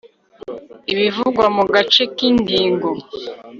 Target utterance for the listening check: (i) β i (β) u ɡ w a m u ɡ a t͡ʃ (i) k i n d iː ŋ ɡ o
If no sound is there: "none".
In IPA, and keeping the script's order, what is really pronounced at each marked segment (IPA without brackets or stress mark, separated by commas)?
i, v, e